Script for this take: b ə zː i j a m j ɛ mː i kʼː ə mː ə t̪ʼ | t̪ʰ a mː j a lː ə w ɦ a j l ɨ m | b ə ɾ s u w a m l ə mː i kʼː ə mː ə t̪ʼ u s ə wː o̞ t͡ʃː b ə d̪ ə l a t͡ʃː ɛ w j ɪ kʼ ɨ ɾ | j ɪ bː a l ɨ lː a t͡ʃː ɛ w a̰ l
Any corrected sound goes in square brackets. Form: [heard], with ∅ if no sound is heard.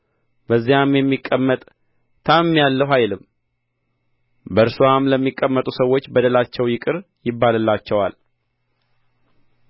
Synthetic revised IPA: b ə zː i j a m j ɛ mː i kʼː ə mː ə t̪ʼ | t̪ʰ a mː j a lː ə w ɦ a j l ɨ m | b ə ɾ s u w a m l ə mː i kʼː ə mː ə t̪ʼ u s ə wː o̞ t͡ʃː b ə d̪ ə l a t͡ʃː ɛ w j ɪ kʼ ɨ ɾ | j ɪ bː a l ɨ lː a t͡ʃː ɛ w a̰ l